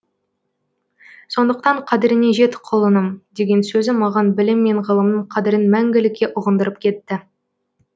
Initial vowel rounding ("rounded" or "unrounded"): rounded